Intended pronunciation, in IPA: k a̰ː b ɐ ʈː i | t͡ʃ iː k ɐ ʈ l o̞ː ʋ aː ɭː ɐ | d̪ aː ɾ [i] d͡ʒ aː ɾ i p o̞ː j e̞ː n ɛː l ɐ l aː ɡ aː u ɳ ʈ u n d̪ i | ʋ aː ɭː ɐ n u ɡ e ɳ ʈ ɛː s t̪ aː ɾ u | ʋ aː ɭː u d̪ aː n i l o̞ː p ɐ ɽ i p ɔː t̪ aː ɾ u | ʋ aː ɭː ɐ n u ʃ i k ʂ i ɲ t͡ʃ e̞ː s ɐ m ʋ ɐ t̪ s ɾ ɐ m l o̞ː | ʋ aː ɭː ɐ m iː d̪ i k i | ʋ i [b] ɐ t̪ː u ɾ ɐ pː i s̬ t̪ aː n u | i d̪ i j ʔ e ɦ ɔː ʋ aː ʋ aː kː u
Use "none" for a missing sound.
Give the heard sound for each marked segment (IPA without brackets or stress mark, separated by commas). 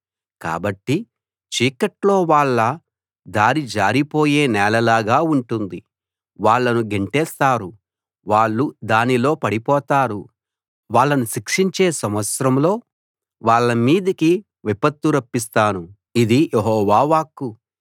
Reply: i, p